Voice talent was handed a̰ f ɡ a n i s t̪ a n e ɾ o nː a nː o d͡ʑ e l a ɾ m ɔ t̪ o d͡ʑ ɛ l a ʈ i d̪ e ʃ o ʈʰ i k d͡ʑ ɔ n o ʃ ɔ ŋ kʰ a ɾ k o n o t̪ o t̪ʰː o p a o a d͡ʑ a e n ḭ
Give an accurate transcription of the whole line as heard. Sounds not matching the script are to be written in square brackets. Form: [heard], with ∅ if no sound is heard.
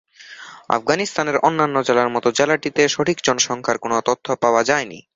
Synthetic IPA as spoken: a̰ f ɡ a n i s t̪ a n e ɾ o nː a nː o d͡ʑ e l a ɾ m ɔ t̪ o d͡ʑ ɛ l a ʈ i [t̪] e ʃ o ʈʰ i k d͡ʑ ɔ n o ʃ ɔ ŋ kʰ a ɾ k o n o t̪ o t̪ʰː o p a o a d͡ʑ a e n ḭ